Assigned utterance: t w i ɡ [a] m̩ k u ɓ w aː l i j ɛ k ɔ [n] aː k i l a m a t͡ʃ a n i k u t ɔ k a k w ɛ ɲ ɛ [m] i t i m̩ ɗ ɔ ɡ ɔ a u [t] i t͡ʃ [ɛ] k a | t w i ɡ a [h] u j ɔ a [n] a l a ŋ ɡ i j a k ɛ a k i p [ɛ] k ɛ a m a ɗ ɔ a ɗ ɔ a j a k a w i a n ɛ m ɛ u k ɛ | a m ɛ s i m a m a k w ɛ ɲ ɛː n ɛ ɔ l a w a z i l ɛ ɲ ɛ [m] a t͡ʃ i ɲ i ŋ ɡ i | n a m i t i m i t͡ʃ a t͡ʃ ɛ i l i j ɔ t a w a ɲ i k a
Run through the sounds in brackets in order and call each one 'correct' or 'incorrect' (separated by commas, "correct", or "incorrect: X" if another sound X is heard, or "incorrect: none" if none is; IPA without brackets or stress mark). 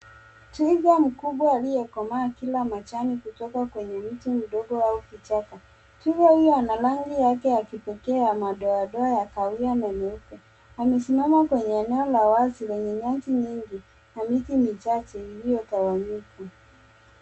correct, incorrect: m, correct, incorrect: k, incorrect: a, correct, correct, correct, incorrect: ɲ